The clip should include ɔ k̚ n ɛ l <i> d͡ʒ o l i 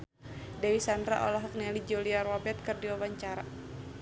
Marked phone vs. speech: correct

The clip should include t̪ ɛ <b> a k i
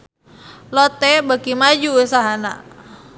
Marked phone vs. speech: correct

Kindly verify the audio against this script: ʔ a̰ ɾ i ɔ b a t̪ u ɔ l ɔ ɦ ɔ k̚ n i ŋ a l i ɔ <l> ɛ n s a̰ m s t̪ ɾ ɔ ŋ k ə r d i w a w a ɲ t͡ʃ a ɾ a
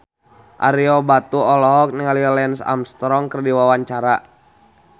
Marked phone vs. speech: correct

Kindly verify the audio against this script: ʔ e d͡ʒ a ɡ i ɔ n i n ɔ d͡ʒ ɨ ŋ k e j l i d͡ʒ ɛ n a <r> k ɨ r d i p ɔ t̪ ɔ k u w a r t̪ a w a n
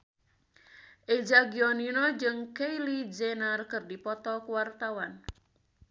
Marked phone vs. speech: correct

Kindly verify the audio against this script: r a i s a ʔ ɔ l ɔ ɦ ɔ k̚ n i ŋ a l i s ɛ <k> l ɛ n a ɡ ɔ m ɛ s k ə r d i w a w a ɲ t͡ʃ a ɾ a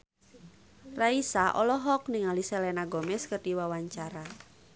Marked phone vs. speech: incorrect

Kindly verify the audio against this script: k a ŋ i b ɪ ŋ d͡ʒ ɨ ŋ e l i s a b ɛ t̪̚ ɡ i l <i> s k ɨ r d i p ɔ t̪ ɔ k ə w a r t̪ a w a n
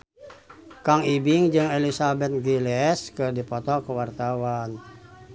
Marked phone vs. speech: incorrect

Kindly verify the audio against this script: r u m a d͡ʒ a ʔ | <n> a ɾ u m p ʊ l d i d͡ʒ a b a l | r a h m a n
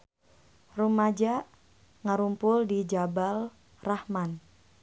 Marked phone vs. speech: incorrect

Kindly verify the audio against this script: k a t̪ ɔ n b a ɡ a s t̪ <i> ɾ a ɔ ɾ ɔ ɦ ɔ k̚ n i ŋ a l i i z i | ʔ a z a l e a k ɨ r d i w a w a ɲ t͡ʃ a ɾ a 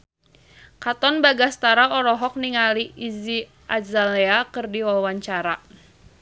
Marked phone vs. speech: incorrect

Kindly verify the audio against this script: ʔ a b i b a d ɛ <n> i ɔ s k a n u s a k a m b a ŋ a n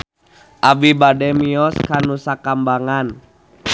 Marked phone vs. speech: incorrect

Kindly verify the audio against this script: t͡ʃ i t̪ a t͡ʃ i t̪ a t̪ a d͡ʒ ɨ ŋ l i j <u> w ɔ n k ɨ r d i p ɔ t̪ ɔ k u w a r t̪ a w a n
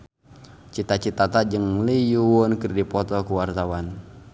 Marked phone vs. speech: correct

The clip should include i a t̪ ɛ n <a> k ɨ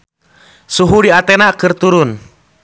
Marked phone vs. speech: correct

